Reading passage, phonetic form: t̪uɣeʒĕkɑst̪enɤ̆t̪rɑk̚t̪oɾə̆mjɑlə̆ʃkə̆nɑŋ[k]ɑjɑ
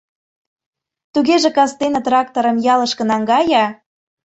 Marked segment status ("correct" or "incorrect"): incorrect